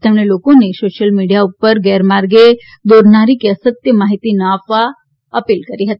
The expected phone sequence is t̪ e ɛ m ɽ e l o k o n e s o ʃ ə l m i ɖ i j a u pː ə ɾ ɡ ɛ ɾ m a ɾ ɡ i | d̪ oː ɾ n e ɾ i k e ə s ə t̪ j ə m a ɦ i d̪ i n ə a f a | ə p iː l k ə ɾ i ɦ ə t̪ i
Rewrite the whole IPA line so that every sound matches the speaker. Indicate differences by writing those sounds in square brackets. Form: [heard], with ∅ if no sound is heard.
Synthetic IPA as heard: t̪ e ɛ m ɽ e l o k o n e s o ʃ ə l m i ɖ i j a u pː ə ɾ ɡ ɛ ɾ m a ɾ ɡ [e] | d̪ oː ɾ n [a] ɾ i k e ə s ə t̪ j ə m a ɦ i [t̪] i n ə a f a | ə p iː l k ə ɾ i ɦ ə t̪ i